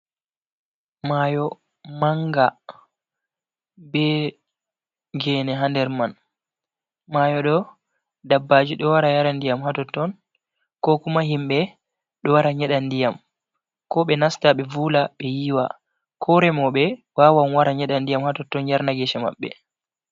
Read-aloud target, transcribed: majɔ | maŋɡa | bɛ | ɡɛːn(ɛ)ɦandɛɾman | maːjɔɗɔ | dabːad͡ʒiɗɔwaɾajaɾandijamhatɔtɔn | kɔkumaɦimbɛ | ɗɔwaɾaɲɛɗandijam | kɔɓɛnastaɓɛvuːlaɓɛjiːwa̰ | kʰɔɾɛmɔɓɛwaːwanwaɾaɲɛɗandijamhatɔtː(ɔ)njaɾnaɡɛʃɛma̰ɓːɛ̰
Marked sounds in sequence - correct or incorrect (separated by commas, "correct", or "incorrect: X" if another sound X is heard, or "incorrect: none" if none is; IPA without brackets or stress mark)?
correct, correct